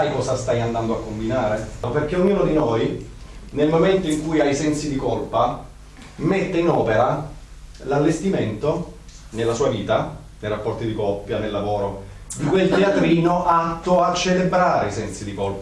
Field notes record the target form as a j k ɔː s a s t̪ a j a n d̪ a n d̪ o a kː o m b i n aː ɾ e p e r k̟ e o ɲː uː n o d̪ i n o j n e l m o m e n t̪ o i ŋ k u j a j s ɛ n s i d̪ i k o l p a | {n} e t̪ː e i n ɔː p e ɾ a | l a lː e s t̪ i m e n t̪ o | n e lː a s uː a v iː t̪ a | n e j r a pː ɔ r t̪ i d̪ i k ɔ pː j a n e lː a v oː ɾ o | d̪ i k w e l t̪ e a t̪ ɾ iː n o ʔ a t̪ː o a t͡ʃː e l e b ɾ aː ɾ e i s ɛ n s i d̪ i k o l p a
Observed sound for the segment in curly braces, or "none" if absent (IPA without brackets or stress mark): m